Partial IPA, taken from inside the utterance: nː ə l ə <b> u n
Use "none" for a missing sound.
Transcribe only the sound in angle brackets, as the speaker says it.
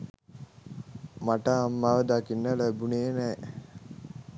b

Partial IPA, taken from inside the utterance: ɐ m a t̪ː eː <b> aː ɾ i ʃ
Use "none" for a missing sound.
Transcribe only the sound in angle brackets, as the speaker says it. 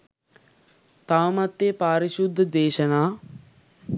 p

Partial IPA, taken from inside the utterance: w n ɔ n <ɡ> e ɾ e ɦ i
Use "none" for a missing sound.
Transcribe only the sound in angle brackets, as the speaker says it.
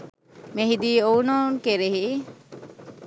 k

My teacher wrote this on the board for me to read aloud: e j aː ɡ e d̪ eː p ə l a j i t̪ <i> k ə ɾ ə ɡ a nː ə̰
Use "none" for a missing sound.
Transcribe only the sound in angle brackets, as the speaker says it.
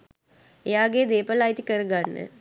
i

